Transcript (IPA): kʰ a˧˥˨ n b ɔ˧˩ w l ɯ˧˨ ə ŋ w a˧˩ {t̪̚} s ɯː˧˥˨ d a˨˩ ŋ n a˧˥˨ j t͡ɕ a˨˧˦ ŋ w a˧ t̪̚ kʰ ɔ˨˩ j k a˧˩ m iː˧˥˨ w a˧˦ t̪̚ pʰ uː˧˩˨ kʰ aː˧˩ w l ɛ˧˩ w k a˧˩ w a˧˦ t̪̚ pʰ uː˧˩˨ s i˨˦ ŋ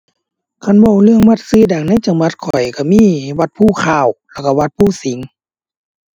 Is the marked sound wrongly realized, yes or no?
no